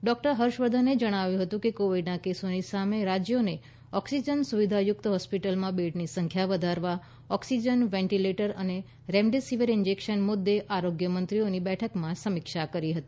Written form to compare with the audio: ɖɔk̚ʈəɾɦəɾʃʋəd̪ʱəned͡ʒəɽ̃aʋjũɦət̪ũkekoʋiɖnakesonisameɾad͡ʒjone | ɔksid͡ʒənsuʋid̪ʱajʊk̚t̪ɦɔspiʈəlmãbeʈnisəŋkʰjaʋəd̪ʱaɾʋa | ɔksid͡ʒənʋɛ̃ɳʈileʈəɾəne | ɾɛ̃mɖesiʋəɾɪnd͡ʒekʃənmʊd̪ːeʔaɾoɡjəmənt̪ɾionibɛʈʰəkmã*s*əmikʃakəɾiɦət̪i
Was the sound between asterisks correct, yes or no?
yes